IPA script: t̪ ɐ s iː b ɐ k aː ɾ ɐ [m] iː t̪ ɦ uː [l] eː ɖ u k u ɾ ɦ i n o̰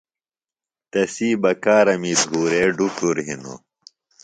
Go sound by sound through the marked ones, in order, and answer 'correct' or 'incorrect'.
correct, incorrect: ɾ

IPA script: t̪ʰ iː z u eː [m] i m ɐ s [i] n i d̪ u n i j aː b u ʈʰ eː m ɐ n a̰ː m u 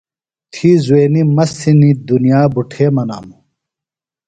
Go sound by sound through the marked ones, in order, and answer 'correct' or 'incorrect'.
incorrect: n, correct

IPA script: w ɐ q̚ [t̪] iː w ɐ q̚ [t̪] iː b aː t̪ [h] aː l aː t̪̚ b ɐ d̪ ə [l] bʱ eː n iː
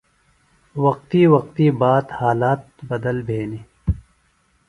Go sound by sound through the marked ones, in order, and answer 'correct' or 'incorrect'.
correct, correct, correct, correct

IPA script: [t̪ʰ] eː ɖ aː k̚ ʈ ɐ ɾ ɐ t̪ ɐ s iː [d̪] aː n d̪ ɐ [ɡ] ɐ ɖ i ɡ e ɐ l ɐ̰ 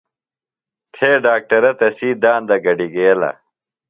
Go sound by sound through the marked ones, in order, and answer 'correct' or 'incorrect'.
correct, correct, correct

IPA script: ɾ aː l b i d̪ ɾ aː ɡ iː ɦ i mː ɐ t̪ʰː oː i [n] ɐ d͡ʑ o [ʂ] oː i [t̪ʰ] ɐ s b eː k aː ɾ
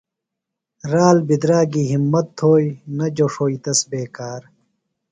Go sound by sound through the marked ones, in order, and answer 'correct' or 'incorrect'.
correct, correct, incorrect: t̪

